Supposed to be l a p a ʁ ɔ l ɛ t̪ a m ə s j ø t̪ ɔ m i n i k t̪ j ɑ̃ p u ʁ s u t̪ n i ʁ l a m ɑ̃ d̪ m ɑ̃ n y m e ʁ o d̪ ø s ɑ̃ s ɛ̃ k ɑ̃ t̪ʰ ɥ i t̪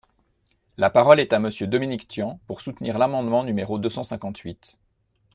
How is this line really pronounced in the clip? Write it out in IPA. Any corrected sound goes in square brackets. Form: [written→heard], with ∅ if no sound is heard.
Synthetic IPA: l a p a ʁ ɔ l ɛ t̪ a m ə s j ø [t̪→d̪] ɔ m i n i k t̪ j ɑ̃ p u ʁ s u t̪ n i ʁ l a m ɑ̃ d̪ m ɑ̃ n y m e ʁ o d̪ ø s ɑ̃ s ɛ̃ k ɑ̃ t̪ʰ ɥ i t̪